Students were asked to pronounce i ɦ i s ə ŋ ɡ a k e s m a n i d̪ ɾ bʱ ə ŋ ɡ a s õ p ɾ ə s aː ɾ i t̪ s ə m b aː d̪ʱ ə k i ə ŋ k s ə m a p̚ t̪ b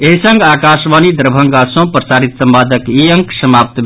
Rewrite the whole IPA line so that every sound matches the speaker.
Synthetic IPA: e ɦ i s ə ŋ ɡ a k a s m a n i d̪ ɾ bʱ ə ŋ ɡ a s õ p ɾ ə s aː ɾ i t̪ s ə m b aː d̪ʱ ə k i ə ŋ k s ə m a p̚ t̪ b